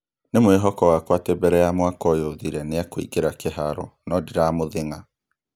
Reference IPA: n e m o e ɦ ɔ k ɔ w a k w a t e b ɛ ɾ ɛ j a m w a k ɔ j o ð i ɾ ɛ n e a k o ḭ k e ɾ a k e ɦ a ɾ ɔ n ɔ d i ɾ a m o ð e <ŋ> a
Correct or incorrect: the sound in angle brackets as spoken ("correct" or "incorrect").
correct